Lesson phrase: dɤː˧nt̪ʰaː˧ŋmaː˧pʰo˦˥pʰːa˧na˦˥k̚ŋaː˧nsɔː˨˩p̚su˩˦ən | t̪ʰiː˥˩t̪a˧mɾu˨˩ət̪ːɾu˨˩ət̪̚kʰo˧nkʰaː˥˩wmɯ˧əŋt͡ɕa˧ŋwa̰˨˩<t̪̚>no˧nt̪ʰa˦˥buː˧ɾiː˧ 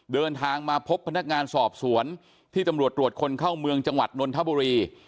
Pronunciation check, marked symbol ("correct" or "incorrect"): correct